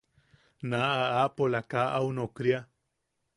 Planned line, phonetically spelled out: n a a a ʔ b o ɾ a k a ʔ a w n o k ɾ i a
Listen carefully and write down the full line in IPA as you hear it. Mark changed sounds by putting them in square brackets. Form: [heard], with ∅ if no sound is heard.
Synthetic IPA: n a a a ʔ [p] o [l] a k a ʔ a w n o k ɾ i a